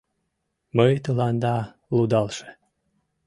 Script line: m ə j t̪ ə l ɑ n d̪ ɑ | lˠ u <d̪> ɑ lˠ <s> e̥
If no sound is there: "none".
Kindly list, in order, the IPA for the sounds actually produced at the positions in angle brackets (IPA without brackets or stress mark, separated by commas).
d̪, ʃ